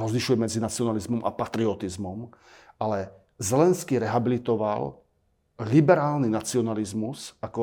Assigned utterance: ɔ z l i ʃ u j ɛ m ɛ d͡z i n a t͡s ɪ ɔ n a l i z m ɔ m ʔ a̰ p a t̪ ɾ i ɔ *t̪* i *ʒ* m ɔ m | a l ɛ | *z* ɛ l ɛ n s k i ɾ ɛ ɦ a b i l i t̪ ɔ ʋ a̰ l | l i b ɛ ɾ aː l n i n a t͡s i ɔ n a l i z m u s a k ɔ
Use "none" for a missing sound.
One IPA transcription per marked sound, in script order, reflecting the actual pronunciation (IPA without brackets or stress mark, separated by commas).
t̪, z, z